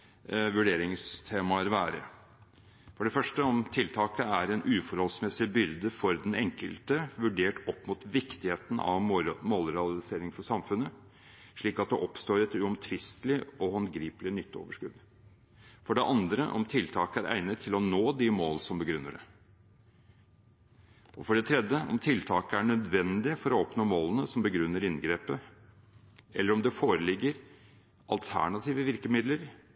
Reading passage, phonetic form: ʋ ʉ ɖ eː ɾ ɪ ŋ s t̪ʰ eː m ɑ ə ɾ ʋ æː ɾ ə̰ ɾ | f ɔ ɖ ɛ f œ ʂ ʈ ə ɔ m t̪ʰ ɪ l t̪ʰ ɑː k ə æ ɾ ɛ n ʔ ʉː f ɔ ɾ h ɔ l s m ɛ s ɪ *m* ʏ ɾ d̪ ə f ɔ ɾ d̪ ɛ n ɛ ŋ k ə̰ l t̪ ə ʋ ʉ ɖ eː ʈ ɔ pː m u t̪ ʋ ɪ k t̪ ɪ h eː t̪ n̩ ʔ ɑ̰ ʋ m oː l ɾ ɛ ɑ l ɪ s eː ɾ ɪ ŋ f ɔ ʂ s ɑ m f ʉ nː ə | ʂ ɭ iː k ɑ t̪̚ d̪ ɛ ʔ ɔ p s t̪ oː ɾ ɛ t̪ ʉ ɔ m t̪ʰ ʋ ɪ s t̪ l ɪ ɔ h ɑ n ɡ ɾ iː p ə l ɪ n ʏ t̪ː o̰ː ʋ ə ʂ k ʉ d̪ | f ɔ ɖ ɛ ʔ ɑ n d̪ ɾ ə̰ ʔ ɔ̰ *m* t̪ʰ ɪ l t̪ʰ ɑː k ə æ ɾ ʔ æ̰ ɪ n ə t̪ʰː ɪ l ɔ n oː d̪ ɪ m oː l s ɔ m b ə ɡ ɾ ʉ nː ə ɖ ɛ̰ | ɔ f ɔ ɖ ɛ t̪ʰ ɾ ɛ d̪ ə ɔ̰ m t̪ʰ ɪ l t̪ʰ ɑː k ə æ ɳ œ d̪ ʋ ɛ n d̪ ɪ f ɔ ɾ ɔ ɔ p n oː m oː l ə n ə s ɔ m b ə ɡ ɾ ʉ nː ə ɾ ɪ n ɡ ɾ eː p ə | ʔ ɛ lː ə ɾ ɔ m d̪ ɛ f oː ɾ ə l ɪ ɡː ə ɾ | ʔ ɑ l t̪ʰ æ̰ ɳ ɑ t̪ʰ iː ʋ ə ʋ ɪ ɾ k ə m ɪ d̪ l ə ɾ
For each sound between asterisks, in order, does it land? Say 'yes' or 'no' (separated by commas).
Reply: no, yes